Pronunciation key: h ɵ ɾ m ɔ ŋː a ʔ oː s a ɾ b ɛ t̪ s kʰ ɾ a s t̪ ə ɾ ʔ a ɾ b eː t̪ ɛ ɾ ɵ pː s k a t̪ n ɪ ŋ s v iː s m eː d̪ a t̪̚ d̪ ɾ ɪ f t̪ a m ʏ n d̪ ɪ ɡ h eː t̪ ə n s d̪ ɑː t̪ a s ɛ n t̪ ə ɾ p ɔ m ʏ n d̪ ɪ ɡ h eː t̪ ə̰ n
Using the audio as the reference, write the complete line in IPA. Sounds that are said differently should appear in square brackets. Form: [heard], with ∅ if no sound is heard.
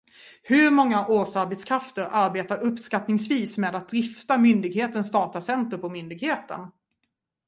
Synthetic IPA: h ɵ ɾ m ɔ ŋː a ʔ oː s a ɾ b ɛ t̪ s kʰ ɾ a [f] t̪ ə ɾ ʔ a ɾ b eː t̪ [a] ɾ ɵ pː s k a t̪ n ɪ ŋ s v iː s m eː d̪ a t̪̚ d̪ ɾ ɪ f t̪ a m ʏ n d̪ ɪ ɡ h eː t̪ ə n s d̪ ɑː t̪ a s ɛ n t̪ ə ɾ p ɔ m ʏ n d̪ ɪ ɡ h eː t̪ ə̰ n

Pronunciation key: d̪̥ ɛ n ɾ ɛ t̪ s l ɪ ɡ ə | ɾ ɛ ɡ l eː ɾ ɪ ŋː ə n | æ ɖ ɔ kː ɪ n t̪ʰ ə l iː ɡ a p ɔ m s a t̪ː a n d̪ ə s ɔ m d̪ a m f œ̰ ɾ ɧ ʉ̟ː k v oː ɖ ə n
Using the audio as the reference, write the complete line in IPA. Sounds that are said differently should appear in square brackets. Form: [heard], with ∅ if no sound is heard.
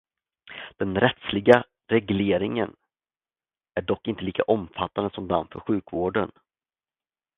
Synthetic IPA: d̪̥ ɛ n ɾ ɛ t̪ s l ɪ ɡ [a] | ɾ ɛ ɡ l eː ɾ ɪ [ŋ] ə n | æ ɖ ɔ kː ɪ n [t̪] ə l iː [k] a [ʔ] ɔ m [f] a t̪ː a n d̪ ə s ɔ m d̪ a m f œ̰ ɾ ɧ ʉ̟ː k v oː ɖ ə n

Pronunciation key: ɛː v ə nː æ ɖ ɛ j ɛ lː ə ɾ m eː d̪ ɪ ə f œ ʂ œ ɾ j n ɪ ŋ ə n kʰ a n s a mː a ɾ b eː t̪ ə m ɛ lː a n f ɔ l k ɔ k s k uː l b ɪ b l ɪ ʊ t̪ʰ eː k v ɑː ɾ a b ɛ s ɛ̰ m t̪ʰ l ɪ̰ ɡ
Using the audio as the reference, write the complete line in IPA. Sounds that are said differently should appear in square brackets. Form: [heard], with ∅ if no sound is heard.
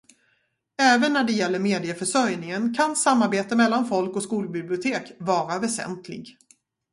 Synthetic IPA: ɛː v ə nː æ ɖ ɛ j ɛ lː ə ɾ m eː d̪ ɪ ə f œ ʂ œ ɾ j n ɪ ŋ ə n kʰ a n s a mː a ɾ b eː t̪ ə m ɛ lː a n f ɔ l k ɔ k s k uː l b ɪ b l ɪ ʊ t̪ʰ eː k v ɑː ɾ a [v] ɛ s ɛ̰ [n] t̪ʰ l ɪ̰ ɡ

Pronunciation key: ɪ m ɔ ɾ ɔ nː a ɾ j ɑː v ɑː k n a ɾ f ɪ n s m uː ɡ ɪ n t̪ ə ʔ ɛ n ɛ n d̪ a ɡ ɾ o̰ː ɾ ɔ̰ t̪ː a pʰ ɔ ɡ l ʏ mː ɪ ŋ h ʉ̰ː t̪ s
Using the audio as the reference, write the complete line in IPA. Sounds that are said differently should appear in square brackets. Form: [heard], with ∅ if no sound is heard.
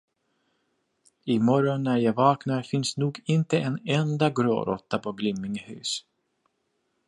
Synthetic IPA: ɪ m ɔ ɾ ɔ nː [æ] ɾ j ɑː v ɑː k n a ɾ f ɪ n s [n] uː ɡ ɪ n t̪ ə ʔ ɛ n ɛ n d̪ a ɡ ɾ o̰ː ɾ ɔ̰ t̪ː a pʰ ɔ ɡ l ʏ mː ɪ ŋ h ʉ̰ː [∅] s

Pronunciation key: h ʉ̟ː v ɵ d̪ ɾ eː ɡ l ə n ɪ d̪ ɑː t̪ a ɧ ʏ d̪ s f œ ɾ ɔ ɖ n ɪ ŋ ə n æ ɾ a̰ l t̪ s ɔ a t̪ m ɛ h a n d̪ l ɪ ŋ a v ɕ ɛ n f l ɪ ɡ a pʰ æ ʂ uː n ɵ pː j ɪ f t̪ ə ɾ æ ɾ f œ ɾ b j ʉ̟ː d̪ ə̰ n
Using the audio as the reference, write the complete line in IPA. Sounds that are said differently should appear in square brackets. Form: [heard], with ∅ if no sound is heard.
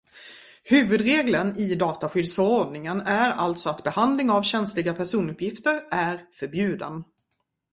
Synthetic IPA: h ʉ̟ː v ɵ d̪ ɾ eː ɡ l ə n ɪ d̪ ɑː t̪ a ɧ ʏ d̪ s f œ ɾ ɔ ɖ n ɪ ŋ ə n æ ɾ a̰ l t̪ s ɔ a t̪ [b] ɛ h a n d̪ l ɪ ŋ a v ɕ ɛ n [s] l ɪ ɡ a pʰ æ ʂ uː n ɵ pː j ɪ f t̪ ə ɾ æ ɾ f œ ɾ b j ʉ̟ː d̪ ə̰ n

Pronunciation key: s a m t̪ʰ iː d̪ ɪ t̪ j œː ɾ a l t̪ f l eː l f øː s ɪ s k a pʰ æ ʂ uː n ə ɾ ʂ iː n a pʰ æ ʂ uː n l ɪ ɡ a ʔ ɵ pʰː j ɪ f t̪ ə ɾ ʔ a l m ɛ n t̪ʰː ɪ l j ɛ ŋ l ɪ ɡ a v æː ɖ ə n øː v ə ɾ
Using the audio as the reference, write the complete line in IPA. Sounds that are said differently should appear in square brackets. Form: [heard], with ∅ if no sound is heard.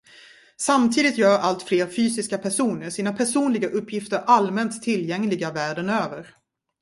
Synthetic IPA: s a m t̪ʰ iː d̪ ɪ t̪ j œː ɾ a l t̪ f l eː [ɾ] f [yː] s ɪ s k a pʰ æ ʂ uː n ə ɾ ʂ iː n a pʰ æ ʂ uː n l ɪ ɡ a ʔ ɵ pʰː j ɪ f t̪ ə ɾ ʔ a l m ɛ n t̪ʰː ɪ l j ɛ ŋ l ɪ ɡ a v æː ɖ ə n øː v ə ɾ

